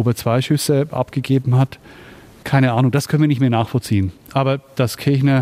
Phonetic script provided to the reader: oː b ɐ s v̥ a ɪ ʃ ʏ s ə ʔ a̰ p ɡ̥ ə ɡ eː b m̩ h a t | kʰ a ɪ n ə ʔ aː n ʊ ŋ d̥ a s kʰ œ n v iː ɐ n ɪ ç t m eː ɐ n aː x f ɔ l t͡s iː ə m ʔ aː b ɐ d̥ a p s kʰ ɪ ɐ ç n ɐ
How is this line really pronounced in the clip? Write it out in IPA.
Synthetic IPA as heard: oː b ɐ t͡s v̥ a ɪ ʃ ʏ s ə ʔ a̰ p ɡ̥ ə ɡ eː b m̩ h a t | kʰ a ɪ n ə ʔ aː n ʊ ŋ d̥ a s kʰ œ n v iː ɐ n ɪ ç t m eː ɐ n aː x f ɔ l t͡s iː ə n ʔ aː b ɐ d̥ a s kʰ ɪ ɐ ç n ɐ